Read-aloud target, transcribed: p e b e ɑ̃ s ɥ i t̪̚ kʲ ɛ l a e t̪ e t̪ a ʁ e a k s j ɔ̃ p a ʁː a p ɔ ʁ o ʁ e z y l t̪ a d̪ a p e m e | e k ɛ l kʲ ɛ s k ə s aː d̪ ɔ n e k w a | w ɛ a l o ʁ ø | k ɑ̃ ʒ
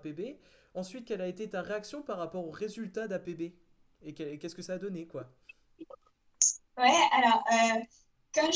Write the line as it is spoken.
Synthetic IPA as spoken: p e b e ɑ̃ s ɥ i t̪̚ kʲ ɛ l a e t̪ e t̪ a ʁ e a k s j ɔ̃ p a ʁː a p ɔ ʁ o ʁ e z y l t̪ a d̪ a p e b e | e k ɛ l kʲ ɛ s k ə s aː d̪ ɔ n e k w a | w ɛ a l ɔ ʁ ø | k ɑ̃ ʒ